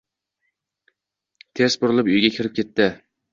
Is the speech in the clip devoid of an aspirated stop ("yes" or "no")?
no